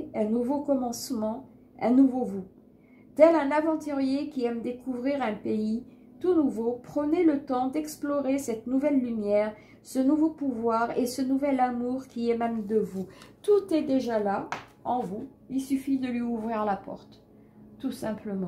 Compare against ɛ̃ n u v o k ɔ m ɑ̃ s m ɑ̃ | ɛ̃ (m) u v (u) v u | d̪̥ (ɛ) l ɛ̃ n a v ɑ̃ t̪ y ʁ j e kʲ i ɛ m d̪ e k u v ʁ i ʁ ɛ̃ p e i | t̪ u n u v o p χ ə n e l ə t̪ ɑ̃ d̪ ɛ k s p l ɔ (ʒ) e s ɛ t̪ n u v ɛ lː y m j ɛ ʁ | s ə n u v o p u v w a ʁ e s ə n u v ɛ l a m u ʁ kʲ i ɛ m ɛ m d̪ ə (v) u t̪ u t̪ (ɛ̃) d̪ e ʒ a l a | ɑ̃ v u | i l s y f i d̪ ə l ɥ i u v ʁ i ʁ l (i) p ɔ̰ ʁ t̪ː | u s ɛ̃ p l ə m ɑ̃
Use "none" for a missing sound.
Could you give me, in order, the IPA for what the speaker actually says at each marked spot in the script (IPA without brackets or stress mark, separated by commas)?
n, o, ɛ, ʁ, v, ɛ, a